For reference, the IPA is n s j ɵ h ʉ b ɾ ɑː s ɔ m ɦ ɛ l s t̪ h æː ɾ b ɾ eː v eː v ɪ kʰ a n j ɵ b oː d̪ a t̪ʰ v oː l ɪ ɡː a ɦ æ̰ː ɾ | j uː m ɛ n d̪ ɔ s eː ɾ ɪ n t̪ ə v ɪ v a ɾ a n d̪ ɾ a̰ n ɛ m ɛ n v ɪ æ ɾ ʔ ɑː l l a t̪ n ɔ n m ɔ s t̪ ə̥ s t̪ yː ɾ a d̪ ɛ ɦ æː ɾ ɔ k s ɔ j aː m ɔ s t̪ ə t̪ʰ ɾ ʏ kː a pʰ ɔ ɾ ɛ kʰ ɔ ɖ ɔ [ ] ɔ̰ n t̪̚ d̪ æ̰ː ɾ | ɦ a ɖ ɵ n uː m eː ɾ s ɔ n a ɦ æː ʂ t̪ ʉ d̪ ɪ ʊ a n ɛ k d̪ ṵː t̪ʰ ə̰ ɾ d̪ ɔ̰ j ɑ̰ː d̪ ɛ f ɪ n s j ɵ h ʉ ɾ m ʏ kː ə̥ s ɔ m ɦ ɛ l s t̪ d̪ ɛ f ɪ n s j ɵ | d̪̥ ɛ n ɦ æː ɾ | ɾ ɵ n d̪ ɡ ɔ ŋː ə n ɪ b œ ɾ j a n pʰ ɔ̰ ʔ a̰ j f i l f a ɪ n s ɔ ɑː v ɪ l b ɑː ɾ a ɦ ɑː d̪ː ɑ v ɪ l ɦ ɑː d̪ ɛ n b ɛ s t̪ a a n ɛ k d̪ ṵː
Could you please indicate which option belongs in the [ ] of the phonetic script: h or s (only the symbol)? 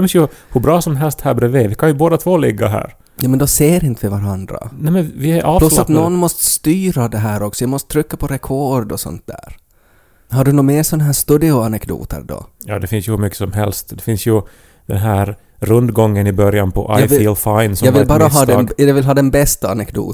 s